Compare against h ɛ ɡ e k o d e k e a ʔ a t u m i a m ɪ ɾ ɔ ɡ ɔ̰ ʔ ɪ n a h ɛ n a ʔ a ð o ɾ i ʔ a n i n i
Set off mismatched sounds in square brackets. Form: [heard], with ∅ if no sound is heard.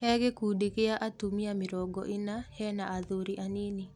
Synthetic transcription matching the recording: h ɛ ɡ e k [u] d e k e a ʔ a t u m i a m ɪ ɾ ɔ ɡ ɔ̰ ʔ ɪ n a h ɛ n a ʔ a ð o ɾ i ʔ a n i n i